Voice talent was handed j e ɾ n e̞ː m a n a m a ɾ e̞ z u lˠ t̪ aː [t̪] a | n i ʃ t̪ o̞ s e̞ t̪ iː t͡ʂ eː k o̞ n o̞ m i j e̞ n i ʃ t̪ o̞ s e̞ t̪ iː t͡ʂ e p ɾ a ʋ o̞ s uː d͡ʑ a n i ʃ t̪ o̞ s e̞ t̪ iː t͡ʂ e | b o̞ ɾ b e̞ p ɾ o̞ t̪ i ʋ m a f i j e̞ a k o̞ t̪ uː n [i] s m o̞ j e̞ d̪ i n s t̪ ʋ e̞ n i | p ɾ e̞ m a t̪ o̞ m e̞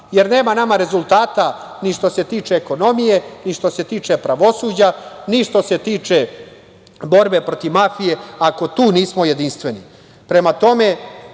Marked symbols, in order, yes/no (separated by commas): yes, no